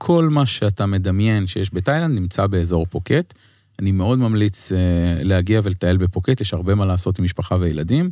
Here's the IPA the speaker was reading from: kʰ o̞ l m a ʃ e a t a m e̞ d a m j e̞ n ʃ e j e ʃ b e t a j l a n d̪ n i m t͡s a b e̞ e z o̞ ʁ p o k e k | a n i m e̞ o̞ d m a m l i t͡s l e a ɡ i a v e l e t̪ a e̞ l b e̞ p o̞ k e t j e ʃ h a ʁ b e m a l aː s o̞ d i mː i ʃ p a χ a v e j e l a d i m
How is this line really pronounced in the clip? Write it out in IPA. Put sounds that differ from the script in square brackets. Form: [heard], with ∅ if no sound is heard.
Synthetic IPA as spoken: kʰ o̞ l m a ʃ e a t a m e̞ d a m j e̞ n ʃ e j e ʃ b e t a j l a n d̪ n i m t͡s a b e̞ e z o̞ ʁ p o k e [t] | a n i m e̞ o̞ d m a m l i t͡s l e a ɡ i a v e l e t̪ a e̞ l b e̞ p o̞ k e t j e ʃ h a ʁ b e m a l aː s o̞ [t] i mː i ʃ p a χ a v e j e l a d i m